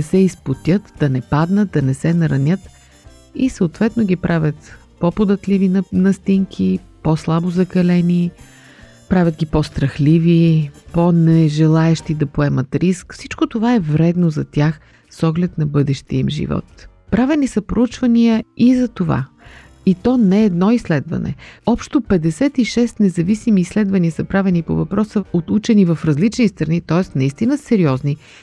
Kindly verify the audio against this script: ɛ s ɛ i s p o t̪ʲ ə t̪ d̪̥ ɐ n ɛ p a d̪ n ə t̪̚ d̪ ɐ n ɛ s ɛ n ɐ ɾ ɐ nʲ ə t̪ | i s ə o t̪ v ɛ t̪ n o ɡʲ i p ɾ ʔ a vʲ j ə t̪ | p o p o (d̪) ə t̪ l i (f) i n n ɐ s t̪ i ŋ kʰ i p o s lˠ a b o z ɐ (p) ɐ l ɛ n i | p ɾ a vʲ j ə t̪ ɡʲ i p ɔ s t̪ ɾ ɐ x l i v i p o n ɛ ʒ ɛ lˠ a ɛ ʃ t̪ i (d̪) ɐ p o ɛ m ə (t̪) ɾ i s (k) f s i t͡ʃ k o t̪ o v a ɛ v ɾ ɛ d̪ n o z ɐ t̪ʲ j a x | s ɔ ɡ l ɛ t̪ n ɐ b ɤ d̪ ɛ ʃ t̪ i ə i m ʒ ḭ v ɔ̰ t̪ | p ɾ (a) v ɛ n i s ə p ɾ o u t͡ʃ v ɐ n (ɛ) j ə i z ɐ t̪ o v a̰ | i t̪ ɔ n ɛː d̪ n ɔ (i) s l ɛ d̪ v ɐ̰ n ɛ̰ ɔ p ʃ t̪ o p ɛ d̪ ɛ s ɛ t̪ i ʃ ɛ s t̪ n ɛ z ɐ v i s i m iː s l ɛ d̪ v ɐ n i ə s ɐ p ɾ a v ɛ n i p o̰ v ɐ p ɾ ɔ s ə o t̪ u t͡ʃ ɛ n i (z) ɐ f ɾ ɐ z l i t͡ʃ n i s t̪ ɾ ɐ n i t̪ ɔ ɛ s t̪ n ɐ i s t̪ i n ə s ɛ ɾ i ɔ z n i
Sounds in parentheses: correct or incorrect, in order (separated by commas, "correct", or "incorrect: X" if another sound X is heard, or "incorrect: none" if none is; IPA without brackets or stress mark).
correct, incorrect: v, incorrect: k, correct, correct, correct, correct, incorrect: i, correct, incorrect: v